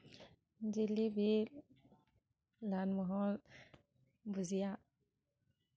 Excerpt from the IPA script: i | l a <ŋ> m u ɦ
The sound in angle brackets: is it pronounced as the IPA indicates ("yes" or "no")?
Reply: no